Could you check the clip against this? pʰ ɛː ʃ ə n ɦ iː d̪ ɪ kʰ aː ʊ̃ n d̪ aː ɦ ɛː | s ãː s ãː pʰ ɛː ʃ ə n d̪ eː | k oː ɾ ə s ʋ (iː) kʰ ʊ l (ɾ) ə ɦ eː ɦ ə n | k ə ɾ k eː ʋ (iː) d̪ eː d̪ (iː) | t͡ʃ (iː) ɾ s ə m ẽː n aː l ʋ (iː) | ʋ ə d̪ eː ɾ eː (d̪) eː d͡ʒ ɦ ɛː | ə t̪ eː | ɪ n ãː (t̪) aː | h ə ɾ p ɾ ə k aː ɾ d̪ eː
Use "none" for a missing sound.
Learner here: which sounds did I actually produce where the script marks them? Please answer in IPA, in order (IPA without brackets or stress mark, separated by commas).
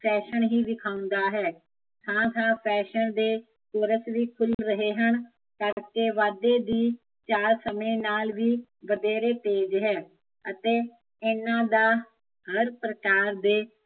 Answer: iː, ɾ, aː, iː, aː, iː, t̪, d̪